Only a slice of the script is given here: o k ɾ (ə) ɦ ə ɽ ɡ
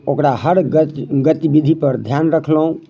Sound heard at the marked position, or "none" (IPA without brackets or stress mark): a